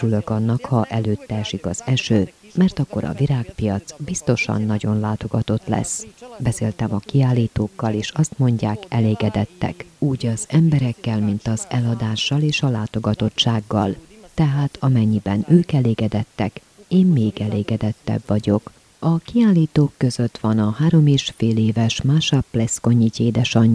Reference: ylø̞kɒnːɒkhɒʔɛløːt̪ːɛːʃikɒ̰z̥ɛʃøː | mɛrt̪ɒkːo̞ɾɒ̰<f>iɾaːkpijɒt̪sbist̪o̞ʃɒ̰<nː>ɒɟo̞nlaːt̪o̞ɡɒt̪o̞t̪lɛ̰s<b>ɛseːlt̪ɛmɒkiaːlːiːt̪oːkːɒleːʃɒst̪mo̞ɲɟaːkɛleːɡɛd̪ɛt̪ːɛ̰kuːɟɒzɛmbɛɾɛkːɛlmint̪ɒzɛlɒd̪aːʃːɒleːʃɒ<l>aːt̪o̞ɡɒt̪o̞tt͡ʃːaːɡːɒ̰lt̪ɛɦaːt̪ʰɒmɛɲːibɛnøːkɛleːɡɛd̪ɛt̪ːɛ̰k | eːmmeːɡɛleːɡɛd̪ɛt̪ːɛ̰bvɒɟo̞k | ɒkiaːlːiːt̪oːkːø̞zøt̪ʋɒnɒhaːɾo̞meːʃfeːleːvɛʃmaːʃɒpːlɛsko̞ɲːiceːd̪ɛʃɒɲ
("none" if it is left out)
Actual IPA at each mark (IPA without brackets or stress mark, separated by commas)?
v, nː, b, l